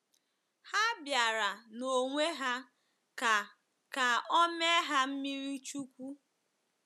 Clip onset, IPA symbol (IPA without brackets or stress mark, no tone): h